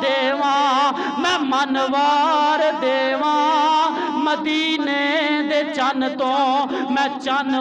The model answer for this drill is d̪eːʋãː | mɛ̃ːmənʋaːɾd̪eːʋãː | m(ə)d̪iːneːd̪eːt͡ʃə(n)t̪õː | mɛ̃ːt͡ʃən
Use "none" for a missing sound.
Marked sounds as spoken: ə, n

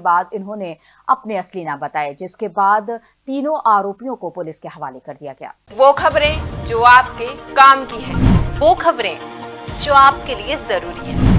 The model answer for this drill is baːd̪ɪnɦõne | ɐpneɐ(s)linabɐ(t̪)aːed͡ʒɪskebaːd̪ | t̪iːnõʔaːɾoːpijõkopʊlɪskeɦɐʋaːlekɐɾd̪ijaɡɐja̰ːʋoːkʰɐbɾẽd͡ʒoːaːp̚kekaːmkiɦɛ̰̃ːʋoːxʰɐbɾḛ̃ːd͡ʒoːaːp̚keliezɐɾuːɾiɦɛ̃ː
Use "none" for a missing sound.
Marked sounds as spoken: s, t̪

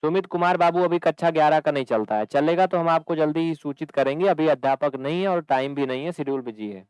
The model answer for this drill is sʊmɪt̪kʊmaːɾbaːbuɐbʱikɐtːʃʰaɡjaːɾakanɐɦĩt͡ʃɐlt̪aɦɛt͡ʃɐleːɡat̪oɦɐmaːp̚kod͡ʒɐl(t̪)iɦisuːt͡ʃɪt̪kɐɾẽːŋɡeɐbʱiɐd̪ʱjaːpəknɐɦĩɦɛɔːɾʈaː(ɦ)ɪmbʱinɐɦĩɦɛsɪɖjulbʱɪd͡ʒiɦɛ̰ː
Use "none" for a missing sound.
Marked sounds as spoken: d̪, none

